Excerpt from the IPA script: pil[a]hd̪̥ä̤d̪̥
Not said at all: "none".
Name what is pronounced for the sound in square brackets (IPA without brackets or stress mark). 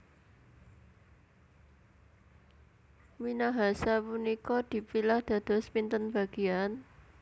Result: a